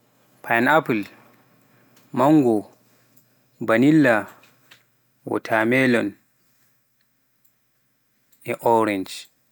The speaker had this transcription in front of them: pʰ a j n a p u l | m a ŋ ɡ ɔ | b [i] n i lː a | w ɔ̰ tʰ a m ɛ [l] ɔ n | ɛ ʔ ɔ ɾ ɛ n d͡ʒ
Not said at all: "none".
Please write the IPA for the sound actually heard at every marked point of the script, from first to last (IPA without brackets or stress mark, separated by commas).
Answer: a, l